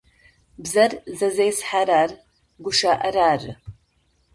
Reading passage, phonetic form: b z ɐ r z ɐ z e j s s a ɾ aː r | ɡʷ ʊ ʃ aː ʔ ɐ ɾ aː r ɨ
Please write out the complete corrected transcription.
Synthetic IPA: b z ɐ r z ɐ z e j s ħ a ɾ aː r | ɡʷ ʊ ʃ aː ʔ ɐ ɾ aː r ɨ